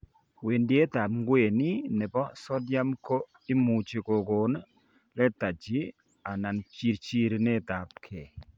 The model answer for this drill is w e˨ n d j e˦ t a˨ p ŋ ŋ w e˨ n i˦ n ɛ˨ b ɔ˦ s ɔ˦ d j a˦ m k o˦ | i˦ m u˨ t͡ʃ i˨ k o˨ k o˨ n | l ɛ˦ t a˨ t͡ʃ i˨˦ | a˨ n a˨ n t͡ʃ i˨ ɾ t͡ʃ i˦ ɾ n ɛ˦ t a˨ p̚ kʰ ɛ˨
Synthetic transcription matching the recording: w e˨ n d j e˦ t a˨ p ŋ ɡ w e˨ n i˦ n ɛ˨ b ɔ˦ s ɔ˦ d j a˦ m k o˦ | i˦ m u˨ t͡ʃ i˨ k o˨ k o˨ n | l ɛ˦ t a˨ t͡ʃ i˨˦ | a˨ n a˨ n t͡ʃ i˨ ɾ t͡ʃ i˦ ɾ n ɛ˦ t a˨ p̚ kʰ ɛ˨